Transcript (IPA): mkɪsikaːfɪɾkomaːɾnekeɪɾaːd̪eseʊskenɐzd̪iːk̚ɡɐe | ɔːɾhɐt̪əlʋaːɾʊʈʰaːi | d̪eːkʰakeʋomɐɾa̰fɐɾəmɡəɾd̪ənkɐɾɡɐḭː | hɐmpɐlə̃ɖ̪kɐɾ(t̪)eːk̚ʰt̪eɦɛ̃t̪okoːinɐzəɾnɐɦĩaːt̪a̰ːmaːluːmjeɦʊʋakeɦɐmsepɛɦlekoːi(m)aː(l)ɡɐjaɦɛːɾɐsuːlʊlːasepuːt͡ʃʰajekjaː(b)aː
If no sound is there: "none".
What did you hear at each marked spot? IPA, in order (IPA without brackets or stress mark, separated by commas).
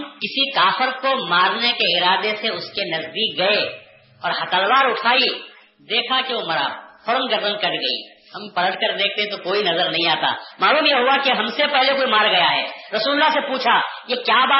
d̪, m, ɾ, b